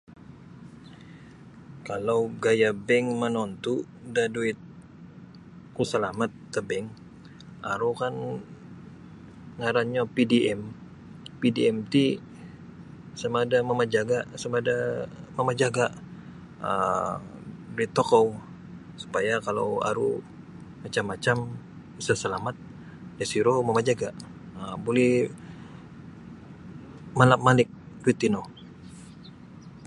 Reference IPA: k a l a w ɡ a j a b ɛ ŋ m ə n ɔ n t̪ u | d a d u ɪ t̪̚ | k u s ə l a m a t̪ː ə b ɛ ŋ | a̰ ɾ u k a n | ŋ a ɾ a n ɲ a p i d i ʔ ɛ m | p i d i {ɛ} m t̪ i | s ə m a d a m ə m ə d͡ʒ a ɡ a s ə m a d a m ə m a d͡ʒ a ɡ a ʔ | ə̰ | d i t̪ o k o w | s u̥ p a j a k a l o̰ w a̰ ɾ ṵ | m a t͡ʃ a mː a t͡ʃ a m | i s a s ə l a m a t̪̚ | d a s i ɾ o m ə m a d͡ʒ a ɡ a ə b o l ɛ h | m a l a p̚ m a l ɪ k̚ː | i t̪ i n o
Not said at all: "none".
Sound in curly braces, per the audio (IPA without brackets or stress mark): ɛ